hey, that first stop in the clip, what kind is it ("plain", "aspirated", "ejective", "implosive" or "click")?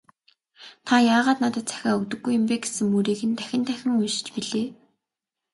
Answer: aspirated